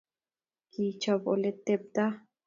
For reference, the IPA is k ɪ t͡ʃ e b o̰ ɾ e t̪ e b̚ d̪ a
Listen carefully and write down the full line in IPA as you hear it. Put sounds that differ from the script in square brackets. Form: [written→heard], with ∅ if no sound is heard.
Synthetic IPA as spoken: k [ɪ→i] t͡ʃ [e→a] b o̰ [ɾ→l] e t̪ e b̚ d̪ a